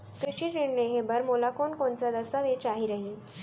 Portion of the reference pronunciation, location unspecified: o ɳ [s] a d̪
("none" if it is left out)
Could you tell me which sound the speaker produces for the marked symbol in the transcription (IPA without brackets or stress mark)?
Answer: t͡s